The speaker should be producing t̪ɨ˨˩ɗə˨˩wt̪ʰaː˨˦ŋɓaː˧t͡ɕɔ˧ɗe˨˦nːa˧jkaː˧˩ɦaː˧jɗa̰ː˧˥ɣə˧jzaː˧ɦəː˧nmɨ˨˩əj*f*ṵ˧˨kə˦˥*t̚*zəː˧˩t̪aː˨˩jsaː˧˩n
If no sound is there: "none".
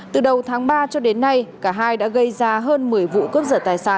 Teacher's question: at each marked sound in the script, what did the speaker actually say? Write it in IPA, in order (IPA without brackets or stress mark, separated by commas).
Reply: v, p̚